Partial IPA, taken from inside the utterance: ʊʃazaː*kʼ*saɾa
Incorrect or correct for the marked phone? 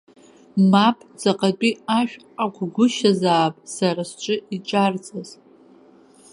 incorrect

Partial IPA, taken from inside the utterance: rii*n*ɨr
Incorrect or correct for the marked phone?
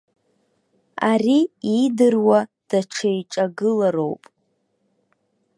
incorrect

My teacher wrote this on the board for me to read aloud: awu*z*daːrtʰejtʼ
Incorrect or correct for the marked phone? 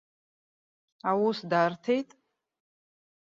incorrect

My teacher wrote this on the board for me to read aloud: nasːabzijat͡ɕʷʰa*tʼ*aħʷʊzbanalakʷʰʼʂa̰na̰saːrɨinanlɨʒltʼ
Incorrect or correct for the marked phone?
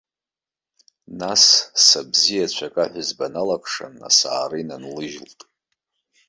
incorrect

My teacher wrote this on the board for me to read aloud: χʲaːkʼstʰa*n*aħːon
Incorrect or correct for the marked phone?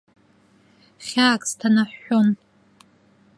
correct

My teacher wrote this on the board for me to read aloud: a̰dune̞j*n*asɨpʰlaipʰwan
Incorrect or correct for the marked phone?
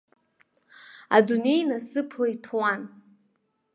correct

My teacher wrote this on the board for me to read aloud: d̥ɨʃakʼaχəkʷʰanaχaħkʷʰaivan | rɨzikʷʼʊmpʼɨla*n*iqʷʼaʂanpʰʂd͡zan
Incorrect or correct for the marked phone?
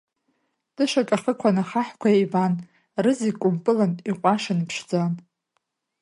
correct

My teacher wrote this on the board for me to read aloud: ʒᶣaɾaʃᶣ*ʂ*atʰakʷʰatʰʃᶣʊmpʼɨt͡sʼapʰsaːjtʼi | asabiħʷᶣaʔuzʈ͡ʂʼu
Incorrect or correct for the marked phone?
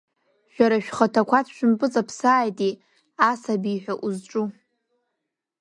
incorrect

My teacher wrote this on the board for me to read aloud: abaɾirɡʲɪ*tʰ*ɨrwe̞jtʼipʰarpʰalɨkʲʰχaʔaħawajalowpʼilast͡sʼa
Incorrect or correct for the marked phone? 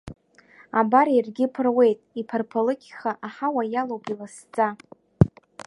incorrect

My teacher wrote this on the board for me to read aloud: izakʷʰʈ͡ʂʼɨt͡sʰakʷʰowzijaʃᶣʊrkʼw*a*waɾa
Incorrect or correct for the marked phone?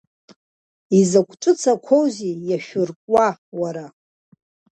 correct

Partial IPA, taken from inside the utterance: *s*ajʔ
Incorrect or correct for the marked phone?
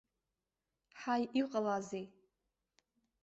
incorrect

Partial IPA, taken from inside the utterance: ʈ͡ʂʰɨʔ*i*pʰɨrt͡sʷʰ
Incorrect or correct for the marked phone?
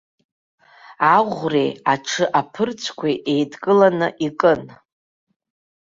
incorrect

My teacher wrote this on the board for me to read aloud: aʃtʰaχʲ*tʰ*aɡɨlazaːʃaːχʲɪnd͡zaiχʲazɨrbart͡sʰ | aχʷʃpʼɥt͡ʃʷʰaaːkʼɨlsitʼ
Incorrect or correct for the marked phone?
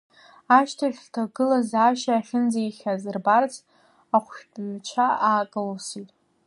correct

